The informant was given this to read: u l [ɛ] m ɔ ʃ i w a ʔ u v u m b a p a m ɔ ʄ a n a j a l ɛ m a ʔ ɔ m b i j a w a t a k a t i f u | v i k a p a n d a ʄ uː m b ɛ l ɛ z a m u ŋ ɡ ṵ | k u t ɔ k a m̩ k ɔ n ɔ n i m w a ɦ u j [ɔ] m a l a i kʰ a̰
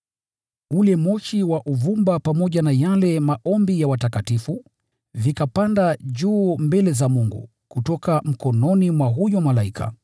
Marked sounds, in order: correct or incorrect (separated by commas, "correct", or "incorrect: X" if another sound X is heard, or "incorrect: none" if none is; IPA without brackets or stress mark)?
correct, correct